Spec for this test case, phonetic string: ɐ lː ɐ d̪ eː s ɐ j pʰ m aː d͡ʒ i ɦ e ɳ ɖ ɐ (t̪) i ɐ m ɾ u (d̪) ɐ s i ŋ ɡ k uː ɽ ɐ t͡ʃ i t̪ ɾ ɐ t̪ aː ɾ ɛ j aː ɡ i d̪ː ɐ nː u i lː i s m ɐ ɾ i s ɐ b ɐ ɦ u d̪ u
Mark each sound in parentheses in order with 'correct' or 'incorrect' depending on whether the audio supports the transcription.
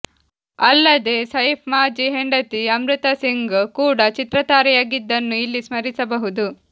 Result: correct, incorrect

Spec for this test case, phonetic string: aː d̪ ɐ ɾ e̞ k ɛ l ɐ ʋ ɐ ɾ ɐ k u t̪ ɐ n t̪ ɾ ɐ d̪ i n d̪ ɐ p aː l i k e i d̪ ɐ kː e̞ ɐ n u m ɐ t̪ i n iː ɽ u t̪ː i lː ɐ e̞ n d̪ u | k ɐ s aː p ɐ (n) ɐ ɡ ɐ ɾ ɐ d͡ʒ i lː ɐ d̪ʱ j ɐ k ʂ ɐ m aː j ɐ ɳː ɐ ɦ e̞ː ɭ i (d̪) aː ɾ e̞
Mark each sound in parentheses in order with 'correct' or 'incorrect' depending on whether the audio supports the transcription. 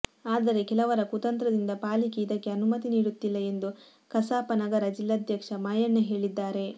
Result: correct, incorrect

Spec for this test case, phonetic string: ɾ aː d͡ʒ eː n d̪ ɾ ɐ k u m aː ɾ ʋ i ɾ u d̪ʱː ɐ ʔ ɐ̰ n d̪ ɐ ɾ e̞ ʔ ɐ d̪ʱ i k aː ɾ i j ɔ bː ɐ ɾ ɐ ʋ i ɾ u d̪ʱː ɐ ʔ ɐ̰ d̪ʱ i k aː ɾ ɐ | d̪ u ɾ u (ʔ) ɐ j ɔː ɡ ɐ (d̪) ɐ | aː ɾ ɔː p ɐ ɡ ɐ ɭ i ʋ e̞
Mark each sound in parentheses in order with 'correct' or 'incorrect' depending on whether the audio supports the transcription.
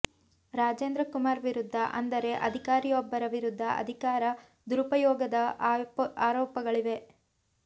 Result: incorrect, correct

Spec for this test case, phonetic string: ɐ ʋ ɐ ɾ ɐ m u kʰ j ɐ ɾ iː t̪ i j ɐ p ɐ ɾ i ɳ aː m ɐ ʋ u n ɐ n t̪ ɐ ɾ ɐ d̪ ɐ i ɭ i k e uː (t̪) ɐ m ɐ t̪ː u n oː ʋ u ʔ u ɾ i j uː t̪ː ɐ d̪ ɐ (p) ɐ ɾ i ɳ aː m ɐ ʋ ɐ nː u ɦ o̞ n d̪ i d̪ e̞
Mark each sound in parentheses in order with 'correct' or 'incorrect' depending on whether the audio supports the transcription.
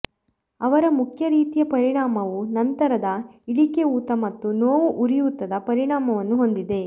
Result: correct, correct

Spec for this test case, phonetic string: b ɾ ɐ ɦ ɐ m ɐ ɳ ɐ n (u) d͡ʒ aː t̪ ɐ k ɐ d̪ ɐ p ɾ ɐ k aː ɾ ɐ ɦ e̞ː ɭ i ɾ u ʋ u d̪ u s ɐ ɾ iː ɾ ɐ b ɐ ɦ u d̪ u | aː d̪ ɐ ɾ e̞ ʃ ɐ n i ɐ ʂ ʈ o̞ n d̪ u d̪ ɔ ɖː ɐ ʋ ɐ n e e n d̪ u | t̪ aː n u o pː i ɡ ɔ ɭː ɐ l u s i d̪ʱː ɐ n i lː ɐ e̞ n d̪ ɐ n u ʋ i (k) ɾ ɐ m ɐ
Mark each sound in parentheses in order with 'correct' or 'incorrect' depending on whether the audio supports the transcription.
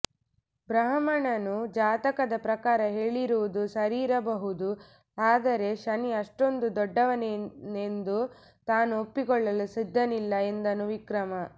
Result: correct, correct

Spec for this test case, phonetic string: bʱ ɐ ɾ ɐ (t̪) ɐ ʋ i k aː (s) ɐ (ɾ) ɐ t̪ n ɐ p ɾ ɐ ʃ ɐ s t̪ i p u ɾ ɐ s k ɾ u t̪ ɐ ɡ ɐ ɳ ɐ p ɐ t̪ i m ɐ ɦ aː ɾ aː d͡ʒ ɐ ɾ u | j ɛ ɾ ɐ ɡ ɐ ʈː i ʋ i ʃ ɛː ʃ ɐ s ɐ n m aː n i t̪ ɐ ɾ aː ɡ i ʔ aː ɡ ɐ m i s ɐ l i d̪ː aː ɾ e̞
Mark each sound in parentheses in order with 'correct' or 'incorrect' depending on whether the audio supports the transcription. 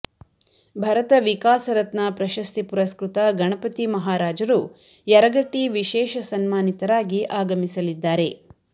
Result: correct, correct, correct

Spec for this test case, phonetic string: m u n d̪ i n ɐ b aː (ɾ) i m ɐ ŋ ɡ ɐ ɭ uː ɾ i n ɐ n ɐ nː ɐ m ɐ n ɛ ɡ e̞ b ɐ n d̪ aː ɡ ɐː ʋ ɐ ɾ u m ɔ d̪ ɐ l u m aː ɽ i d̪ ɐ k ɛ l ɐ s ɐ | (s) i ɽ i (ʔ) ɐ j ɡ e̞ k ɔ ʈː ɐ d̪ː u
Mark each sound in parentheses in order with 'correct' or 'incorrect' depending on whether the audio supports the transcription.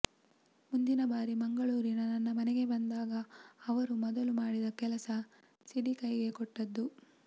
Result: correct, correct, incorrect

